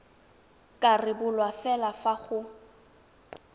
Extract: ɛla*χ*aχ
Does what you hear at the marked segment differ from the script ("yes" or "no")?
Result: yes